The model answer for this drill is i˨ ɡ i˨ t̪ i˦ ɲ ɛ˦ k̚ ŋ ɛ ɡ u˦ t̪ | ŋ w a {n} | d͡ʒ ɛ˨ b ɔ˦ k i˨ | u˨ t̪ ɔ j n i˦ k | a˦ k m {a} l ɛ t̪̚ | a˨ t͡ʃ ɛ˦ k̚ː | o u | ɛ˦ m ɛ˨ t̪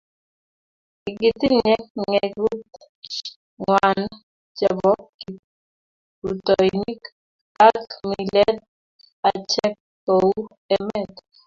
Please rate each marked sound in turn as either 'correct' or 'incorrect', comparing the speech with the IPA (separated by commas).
correct, incorrect